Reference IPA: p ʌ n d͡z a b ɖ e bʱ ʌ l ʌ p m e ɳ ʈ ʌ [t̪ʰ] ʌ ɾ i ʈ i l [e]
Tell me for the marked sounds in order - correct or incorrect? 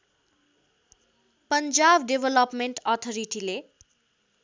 correct, correct

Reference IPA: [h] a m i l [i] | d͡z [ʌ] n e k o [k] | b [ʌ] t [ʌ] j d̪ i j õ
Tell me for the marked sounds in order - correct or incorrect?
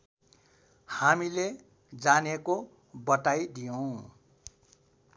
correct, incorrect, incorrect, incorrect, correct, incorrect

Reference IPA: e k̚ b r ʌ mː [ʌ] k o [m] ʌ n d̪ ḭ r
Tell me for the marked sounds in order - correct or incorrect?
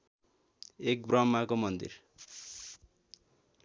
incorrect, correct

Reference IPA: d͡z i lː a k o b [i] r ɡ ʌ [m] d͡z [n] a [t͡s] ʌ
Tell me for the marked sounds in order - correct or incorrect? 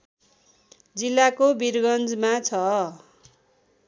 correct, incorrect, incorrect, incorrect

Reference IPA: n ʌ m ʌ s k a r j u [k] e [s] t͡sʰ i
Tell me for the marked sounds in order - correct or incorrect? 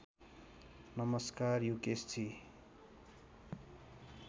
correct, correct

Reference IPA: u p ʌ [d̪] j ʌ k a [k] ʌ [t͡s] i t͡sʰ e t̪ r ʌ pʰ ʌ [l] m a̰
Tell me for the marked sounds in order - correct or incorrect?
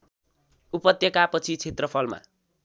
incorrect, incorrect, incorrect, correct

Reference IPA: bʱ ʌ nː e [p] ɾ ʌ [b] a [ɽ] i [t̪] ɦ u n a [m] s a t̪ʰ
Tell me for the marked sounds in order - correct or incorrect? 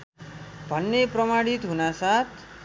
correct, incorrect, correct, correct, incorrect

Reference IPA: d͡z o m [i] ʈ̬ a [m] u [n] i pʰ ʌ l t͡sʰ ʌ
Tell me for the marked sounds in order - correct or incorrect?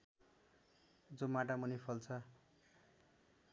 incorrect, correct, correct

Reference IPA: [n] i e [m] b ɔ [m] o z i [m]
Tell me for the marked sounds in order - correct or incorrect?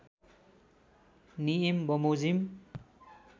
correct, correct, correct, correct

